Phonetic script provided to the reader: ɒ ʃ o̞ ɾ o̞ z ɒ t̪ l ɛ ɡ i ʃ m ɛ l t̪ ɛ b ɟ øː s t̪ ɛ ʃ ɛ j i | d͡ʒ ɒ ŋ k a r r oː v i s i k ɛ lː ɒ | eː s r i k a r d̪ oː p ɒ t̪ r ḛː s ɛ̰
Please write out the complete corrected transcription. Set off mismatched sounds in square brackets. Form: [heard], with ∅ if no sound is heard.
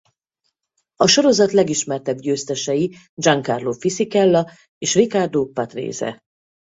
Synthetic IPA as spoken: ɒ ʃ o̞ ɾ o̞ z ɒ t̪ l ɛ ɡ i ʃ m ɛ [r] t̪ ɛ b ɟ øː s t̪ ɛ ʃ ɛ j i | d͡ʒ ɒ ŋ k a r [l] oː [f] i s i k ɛ lː ɒ | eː [ʃ] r i k a r d̪ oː p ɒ t̪ r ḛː [z] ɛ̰